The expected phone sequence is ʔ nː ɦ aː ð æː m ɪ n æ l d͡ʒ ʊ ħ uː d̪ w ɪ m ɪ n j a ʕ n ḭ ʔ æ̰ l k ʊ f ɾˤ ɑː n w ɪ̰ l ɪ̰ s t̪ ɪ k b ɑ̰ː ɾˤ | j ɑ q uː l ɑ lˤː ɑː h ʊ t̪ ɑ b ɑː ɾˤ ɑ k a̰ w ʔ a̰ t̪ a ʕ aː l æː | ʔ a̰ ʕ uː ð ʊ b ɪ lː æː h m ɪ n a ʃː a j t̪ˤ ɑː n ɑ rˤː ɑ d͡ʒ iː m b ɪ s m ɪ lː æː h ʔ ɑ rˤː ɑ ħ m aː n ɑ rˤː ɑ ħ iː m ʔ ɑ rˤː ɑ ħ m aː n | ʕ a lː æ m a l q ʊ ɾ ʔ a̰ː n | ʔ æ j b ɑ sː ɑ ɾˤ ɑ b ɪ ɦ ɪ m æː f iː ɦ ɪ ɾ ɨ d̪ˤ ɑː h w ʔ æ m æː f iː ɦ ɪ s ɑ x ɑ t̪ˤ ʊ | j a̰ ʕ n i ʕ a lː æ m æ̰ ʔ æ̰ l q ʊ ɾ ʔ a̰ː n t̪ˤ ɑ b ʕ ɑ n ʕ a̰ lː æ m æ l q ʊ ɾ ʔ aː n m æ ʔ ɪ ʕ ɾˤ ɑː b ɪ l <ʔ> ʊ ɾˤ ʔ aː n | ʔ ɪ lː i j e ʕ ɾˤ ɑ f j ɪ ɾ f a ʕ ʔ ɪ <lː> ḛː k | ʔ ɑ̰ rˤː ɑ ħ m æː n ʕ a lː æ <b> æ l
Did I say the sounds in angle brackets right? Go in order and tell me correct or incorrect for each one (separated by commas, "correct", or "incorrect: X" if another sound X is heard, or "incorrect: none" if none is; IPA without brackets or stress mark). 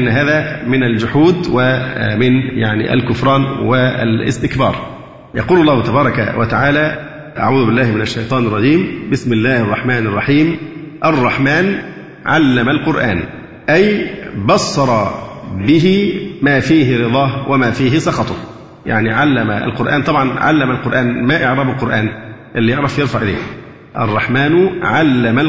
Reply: incorrect: q, incorrect: l, incorrect: m